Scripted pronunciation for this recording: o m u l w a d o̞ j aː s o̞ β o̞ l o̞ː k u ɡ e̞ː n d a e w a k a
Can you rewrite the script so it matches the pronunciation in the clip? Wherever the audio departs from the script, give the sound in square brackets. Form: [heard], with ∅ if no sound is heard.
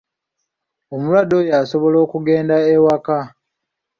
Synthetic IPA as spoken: o m u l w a d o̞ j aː s o̞ β o̞ l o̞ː k u ɡ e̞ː n d a e w a k a